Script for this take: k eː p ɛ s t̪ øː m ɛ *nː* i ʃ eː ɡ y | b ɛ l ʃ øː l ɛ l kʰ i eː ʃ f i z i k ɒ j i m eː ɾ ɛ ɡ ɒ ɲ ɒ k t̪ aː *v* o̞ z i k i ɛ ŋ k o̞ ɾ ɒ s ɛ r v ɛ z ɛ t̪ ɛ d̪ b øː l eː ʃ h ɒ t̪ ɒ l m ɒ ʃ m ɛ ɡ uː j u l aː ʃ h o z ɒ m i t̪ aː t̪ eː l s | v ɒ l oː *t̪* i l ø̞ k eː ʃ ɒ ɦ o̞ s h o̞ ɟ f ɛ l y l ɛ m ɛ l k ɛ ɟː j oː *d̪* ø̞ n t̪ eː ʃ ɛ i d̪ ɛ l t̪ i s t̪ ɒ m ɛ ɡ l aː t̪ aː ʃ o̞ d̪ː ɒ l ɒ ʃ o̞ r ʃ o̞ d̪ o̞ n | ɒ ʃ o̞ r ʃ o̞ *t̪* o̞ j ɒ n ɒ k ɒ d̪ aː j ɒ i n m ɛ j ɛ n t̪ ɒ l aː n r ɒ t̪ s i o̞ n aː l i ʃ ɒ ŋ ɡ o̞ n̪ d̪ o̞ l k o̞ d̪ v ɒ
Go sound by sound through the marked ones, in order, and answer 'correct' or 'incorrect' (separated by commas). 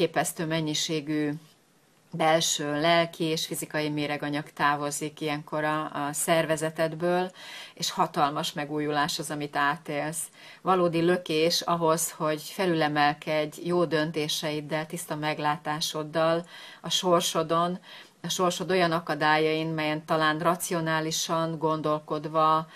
incorrect, correct, incorrect, correct, incorrect